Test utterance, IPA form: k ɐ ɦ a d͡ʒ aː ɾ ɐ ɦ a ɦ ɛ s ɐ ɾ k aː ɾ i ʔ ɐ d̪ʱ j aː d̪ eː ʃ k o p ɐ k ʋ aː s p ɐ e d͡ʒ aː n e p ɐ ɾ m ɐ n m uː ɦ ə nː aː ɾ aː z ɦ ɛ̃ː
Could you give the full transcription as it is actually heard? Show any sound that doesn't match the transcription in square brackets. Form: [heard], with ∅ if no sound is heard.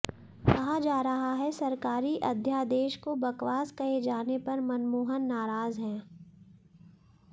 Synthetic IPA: k ɐ ɦ a d͡ʒ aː ɾ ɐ ɦ a ɦ ɛ s ɐ ɾ k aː ɾ i ʔ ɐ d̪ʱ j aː d̪ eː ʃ k o [b] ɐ k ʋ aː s [k] ɐ e d͡ʒ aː n e p ɐ ɾ m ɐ n m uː ɦ ə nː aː ɾ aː z ɦ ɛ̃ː